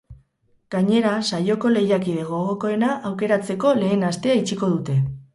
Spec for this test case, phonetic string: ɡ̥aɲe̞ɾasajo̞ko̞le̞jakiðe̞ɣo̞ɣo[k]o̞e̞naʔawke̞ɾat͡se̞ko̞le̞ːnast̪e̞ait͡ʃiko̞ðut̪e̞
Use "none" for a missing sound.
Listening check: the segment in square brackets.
k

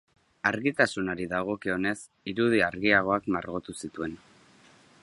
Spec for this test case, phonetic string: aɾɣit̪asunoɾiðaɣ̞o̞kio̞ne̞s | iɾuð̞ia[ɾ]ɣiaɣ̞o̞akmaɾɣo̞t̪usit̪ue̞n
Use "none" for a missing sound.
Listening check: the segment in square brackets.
ɾ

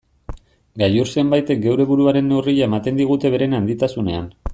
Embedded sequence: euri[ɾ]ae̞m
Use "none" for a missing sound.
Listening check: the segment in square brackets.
ʎ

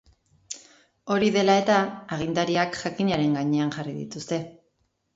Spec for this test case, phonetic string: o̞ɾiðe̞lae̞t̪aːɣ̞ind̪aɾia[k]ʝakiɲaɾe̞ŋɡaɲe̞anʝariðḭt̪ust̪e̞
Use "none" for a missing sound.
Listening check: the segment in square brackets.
k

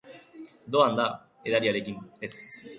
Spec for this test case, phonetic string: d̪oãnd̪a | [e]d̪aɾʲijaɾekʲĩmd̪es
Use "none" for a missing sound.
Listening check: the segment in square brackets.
e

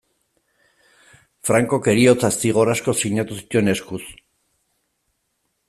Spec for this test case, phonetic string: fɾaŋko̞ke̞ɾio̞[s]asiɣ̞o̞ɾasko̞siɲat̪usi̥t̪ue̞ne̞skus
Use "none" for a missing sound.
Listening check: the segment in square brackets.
t͡s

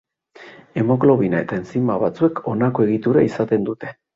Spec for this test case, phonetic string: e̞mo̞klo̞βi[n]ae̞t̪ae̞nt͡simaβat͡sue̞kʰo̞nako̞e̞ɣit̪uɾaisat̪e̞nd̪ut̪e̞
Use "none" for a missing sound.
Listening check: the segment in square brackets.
n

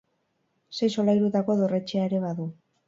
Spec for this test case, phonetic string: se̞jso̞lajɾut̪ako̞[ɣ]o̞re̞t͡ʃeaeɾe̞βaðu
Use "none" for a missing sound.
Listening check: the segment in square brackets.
ð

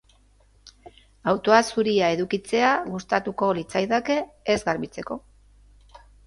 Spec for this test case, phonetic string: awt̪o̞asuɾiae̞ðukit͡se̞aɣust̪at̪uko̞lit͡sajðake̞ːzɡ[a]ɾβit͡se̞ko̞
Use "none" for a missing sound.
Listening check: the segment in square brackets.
a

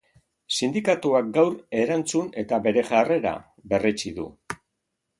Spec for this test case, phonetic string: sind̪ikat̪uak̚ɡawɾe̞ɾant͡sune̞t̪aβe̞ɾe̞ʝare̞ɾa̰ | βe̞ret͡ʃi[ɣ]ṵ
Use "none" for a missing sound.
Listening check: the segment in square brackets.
ð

